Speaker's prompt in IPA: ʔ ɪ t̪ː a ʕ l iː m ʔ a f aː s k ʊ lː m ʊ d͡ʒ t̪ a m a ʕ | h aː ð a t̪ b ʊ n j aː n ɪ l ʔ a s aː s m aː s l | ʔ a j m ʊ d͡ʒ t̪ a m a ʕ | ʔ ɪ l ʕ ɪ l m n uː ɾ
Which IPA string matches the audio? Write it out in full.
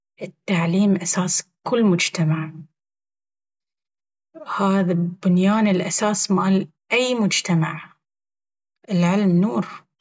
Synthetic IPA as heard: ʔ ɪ t̪ː a ʕ l iː m ʔ a s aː s k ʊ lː m ʊ d͡ʒ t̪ a m a ʕ | h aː ð a b ʊ n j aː n ɪ l ʔ a s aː s m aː l | ʔ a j m ʊ d͡ʒ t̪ a m a ʕ | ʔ ɪ l ʕ ɪ l m n uː ɾ